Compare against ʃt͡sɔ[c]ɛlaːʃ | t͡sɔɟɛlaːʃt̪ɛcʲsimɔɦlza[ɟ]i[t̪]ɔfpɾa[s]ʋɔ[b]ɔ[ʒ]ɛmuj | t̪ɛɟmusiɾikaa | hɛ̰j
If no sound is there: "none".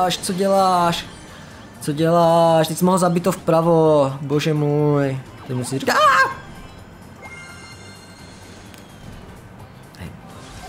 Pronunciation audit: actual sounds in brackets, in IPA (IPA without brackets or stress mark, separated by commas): ɟ, b, t̪, none, b, ʒ